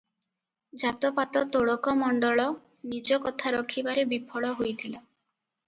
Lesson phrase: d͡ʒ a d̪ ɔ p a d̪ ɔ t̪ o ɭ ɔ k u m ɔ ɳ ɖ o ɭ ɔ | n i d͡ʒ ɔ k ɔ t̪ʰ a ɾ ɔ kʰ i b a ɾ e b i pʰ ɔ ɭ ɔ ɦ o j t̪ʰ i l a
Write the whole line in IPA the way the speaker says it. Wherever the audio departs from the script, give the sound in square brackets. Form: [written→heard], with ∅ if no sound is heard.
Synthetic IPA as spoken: d͡ʒ a [d̪→t̪] ɔ p a [d̪→t̪] ɔ t̪ o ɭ ɔ k [u→ɔ] m ɔ ɳ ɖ [o→ɔ] ɭ ɔ | n i d͡ʒ ɔ k ɔ t̪ʰ a ɾ ɔ kʰ i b a ɾ e b i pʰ ɔ ɭ ɔ ɦ o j t̪ʰ i l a

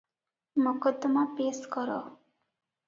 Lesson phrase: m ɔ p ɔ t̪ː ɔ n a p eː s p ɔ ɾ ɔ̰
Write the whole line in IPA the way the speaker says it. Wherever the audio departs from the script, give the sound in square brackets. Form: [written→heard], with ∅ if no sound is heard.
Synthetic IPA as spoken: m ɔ [p→k] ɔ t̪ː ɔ [n→m] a p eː s [p→k] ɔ ɾ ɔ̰

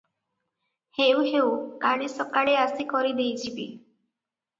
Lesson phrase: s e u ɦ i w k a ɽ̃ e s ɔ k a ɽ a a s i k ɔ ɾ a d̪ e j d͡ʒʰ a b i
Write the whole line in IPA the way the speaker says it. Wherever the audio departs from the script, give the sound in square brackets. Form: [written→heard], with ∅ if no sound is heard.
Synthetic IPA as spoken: [s→h] e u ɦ [i→e] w k a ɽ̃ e s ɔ k a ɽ [a→e] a s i k ɔ ɾ [a→i] d̪ e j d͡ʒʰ [a→i] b i

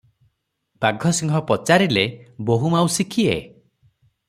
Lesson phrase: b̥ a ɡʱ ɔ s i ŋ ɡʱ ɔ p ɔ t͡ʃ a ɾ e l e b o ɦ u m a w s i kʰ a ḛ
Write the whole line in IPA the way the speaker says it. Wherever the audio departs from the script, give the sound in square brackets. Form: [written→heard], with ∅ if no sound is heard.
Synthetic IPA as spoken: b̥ a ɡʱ ɔ s i ŋ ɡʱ ɔ p ɔ t͡ʃ a ɾ [e→i] l e b o ɦ u m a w s i kʰ [a→i] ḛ

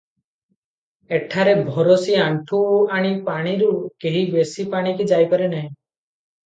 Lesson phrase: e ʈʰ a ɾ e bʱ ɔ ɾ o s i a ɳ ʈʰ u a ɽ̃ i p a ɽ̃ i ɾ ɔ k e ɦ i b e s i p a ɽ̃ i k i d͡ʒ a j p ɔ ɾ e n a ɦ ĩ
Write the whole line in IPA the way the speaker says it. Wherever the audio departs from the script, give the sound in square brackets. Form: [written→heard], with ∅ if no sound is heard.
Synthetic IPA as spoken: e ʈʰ a ɾ e bʱ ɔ ɾ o s i a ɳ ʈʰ u a ɽ̃ i p a ɽ̃ i ɾ [ɔ→u] k e ɦ i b e s i p a ɽ̃ i k i d͡ʒ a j p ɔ ɾ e n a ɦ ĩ

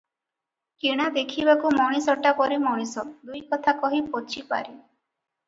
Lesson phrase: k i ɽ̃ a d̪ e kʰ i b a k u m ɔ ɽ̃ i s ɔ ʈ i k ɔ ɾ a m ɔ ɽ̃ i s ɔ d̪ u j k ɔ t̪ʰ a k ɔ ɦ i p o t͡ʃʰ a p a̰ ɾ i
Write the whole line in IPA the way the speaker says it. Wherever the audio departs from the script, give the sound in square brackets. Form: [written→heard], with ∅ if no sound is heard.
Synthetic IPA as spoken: k i ɽ̃ a d̪ e kʰ i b a k u m ɔ ɽ̃ i s ɔ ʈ [i→a] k ɔ ɾ [a→i] m ɔ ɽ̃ i s ɔ d̪ u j k ɔ t̪ʰ a k ɔ ɦ i p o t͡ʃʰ [a→i] p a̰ ɾ i

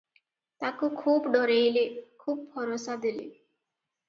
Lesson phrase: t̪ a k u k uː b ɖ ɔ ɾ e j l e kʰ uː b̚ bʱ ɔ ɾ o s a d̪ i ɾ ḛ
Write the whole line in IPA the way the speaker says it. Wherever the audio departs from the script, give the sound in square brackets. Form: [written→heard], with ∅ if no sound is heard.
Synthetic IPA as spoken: t̪ a k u [k→kʰ] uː b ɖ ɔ ɾ e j l e kʰ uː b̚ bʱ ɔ ɾ o s a d̪ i [ɾ→l] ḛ

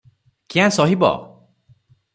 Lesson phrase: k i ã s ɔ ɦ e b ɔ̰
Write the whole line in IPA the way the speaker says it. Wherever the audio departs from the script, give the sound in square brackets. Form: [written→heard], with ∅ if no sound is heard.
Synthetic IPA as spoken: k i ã s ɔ ɦ [e→i] b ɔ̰

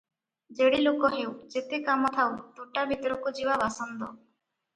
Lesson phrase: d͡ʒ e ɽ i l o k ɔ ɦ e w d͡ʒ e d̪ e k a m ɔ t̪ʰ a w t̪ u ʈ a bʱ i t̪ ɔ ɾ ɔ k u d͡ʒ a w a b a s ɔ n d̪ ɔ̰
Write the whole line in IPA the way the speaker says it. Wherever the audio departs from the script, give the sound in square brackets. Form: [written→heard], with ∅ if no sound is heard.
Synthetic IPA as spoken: d͡ʒ e ɽ i l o k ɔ ɦ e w d͡ʒ e [d̪→t̪] e k a m ɔ t̪ʰ a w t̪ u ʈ a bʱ i t̪ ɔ ɾ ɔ k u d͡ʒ [a→i] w a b a s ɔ n d̪ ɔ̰

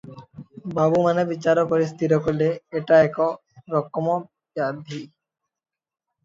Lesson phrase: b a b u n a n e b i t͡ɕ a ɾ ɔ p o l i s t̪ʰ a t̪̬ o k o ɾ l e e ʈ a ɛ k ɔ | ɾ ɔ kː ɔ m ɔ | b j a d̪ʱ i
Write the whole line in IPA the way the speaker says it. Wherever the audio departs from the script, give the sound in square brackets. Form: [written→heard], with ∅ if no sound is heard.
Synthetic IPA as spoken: b a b u [n→m] a n e b i t͡ɕ a ɾ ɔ p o [l→ɾ] i s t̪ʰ [a→i] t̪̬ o k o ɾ l e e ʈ a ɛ k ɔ | ɾ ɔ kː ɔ m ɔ | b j a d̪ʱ i

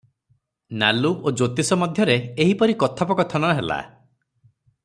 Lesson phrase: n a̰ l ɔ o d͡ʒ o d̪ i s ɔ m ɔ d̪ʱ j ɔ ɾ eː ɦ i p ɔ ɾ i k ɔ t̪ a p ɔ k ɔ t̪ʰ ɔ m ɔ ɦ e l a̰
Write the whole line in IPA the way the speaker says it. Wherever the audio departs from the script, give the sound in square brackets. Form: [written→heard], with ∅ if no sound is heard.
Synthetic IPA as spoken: n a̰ l [ɔ→u] o d͡ʒ o [d̪→t̪] i s ɔ m ɔ d̪ʱ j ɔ ɾ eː ɦ i p ɔ ɾ i k ɔ [t̪→t̪ʰ] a p ɔ k ɔ t̪ʰ ɔ [m→n] ɔ ɦ e l a̰

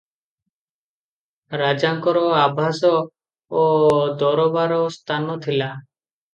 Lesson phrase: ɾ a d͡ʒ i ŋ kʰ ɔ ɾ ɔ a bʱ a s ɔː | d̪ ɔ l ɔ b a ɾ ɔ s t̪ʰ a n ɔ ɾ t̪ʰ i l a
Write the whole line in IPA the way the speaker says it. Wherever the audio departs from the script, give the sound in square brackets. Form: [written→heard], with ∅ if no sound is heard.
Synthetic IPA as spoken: ɾ a d͡ʒ [i→a] ŋ [kʰ→k] ɔ ɾ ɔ a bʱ a s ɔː | d̪ ɔ [l→ɾ] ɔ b a ɾ ɔ s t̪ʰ a n ɔ [ɾ→∅] t̪ʰ i l a

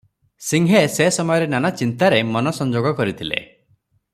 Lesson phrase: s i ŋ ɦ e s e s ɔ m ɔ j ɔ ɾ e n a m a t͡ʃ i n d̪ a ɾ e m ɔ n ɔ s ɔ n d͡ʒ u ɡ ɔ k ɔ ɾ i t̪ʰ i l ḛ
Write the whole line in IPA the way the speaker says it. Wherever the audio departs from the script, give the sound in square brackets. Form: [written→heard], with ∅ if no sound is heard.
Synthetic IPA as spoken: s i ŋ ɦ e s e s ɔ m ɔ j ɔ ɾ e n a [m→n] a t͡ʃ i n [d̪→t̪] a ɾ e m ɔ n ɔ s ɔ n d͡ʒ [u→o] ɡ ɔ k ɔ ɾ i t̪ʰ i l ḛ

